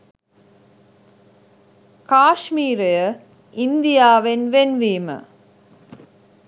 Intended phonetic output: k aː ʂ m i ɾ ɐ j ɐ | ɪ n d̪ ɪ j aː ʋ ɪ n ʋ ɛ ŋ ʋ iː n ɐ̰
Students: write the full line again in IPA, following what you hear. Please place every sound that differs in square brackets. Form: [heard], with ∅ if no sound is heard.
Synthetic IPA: k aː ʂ m [iː] ɾ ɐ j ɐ | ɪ n d̪ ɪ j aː ʋ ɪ n ʋ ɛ [n] ʋ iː [m] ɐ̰